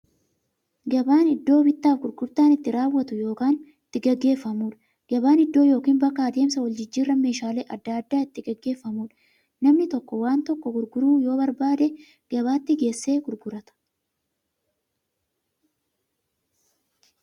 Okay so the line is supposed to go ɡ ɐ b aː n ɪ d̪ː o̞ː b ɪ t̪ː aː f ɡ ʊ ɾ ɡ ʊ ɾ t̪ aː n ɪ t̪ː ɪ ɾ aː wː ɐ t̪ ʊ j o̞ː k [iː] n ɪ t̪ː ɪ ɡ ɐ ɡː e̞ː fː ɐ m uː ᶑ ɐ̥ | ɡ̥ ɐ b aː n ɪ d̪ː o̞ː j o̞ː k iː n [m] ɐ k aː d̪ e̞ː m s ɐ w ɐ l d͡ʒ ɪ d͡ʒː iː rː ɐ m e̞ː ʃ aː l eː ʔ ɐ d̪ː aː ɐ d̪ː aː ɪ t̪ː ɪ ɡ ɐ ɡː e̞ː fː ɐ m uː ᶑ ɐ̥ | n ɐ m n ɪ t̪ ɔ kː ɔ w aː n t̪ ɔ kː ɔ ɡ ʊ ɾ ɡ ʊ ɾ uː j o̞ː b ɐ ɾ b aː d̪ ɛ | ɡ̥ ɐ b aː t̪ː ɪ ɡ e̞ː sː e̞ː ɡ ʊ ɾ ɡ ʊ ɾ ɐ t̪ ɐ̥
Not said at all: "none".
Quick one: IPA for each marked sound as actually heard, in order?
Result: aː, b

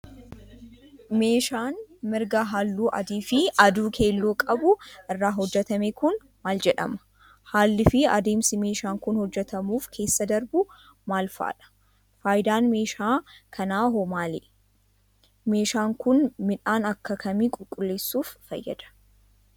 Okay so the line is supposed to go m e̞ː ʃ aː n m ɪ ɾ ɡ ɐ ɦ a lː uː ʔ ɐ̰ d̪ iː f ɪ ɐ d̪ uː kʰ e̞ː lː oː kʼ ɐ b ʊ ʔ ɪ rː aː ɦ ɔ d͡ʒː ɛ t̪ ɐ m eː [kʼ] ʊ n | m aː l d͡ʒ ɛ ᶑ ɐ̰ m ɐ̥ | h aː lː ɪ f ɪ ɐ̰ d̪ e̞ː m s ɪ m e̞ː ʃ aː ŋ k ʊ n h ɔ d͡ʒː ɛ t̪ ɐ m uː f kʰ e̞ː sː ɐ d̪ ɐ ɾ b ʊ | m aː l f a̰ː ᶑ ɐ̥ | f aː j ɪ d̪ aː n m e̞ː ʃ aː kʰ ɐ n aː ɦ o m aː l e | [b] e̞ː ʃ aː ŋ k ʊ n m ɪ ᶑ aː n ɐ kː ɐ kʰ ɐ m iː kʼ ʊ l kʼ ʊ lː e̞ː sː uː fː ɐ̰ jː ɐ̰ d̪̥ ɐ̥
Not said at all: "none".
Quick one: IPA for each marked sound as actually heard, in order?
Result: k, m

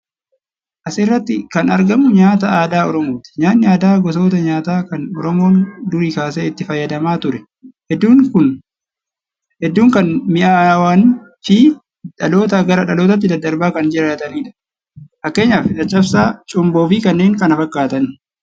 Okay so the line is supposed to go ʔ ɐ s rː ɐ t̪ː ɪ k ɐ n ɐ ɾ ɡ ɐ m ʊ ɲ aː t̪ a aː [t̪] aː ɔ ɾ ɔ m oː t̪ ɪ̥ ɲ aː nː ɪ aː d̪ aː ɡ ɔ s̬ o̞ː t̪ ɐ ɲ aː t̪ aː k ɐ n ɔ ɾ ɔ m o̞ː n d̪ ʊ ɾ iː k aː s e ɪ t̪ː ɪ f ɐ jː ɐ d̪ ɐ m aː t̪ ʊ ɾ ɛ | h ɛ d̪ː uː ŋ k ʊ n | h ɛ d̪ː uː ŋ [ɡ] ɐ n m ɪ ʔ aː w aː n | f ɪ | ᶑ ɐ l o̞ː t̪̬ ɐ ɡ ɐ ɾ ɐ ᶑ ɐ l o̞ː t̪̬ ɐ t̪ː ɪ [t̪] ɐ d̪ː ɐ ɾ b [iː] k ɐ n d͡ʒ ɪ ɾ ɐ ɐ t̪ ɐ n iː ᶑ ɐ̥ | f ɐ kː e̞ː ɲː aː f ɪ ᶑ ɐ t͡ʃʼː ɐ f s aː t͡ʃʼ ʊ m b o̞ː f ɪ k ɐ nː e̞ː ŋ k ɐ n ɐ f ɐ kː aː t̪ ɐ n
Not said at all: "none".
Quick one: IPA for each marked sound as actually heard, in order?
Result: d̪, k, d̪, aː

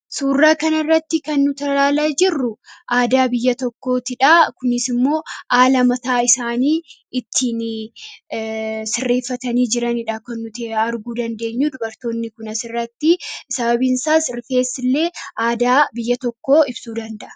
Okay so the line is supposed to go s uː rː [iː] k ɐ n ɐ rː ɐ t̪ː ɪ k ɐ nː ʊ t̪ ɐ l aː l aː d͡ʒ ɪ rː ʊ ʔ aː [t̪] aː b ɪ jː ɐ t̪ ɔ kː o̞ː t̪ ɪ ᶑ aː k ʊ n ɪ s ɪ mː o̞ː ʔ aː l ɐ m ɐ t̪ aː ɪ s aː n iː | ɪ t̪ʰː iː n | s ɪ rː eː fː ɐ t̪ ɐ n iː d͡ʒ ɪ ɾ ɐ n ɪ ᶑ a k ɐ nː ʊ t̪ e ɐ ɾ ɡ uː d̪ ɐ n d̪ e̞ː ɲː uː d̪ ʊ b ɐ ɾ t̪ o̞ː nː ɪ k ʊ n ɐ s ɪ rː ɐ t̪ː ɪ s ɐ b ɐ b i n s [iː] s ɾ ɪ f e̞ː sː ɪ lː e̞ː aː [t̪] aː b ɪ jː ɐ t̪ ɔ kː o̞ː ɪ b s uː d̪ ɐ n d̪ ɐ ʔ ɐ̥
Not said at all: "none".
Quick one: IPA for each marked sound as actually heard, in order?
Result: aː, d̪, aː, d̪

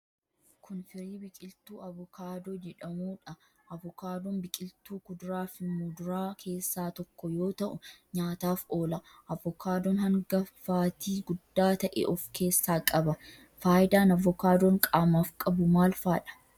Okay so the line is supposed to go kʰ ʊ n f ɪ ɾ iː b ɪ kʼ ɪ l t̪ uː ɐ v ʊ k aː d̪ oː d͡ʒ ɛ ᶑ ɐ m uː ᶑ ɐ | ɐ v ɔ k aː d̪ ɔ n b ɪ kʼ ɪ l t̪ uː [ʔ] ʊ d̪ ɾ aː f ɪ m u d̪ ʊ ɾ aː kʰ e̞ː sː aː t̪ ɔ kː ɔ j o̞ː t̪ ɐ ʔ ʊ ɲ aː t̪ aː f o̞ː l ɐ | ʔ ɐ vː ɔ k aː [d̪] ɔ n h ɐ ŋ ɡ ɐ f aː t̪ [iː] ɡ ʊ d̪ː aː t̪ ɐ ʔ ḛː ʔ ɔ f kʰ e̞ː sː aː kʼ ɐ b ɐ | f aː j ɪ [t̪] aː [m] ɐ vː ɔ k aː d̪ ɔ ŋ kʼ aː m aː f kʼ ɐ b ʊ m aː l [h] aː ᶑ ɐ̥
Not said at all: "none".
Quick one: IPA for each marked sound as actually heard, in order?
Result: k, d̪, iː, d̪, n, f

